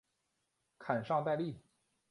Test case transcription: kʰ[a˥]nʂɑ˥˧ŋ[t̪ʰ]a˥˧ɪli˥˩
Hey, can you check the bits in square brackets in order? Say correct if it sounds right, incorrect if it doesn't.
incorrect: a˨˩, incorrect: t̪

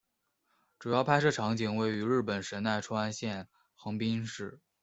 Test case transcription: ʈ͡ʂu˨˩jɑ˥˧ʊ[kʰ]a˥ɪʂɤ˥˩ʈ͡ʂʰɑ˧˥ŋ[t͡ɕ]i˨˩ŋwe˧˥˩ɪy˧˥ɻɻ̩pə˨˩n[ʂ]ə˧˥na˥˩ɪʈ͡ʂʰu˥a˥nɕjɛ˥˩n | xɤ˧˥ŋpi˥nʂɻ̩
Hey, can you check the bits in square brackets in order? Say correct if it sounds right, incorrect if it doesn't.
incorrect: pʰ, correct, correct

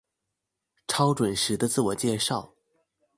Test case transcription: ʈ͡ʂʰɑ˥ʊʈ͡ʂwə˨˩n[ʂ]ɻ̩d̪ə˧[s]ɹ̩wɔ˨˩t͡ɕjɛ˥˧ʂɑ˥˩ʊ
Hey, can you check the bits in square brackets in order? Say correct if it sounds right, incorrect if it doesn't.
correct, incorrect: t͡s

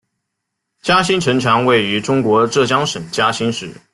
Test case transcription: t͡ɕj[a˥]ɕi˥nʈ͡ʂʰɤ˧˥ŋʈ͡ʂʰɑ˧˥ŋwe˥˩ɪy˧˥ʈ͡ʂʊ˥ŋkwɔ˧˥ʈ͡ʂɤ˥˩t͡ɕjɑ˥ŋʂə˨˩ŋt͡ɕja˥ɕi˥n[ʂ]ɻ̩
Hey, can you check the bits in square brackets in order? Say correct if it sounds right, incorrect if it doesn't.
correct, correct

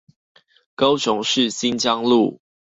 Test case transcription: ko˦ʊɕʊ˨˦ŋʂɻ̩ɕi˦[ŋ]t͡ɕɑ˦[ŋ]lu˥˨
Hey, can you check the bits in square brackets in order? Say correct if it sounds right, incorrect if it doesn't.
incorrect: n, correct

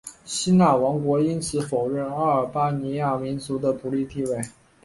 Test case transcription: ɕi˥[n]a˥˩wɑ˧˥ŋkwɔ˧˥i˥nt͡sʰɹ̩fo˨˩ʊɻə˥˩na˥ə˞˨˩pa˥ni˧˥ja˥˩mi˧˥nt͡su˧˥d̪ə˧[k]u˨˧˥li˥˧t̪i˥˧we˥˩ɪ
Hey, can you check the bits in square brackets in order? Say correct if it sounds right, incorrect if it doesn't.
correct, incorrect: p

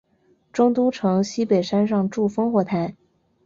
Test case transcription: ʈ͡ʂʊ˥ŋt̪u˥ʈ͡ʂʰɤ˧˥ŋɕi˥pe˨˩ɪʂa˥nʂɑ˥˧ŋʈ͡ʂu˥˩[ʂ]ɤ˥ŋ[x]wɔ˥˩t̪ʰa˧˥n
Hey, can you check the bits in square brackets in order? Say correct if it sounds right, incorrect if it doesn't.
incorrect: f, correct

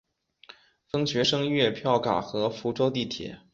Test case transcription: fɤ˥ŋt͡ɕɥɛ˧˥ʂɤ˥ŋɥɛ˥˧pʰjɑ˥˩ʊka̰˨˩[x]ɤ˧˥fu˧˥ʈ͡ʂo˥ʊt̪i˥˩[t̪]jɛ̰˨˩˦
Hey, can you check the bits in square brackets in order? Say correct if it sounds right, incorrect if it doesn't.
correct, incorrect: t̪ʰ

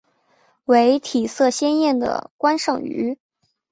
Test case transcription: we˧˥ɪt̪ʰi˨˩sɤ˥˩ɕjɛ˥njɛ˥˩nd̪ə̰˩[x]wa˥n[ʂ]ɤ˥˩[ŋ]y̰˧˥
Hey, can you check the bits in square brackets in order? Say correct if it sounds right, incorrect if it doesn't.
incorrect: k, correct, correct

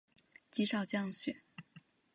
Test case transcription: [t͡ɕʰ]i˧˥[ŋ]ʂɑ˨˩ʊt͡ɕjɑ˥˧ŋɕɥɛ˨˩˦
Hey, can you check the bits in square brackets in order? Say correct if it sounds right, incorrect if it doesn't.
incorrect: t͡ɕ, incorrect: none

